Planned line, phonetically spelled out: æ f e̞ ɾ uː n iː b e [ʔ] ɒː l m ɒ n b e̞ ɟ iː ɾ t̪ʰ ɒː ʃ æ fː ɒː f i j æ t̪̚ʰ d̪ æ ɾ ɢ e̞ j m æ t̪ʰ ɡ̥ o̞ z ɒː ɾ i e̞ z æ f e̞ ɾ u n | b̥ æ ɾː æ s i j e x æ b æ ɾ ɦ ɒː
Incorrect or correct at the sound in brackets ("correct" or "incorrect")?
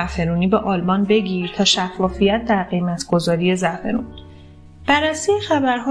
correct